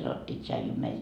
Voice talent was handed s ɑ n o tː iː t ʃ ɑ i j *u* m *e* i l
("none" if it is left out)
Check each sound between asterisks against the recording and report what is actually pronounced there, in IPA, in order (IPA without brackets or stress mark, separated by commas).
u, e